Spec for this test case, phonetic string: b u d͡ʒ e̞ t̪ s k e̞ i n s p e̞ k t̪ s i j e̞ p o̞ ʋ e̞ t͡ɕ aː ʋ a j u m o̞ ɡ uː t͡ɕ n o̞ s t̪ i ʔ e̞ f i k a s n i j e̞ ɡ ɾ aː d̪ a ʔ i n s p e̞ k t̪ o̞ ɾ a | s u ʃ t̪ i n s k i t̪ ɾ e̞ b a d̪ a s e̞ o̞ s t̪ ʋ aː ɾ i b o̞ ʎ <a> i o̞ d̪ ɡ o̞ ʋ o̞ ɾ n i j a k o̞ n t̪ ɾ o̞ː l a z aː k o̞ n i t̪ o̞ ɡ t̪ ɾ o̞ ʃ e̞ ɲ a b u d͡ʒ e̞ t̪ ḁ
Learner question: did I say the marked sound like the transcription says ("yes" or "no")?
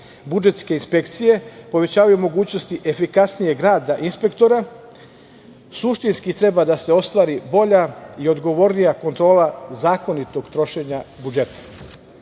yes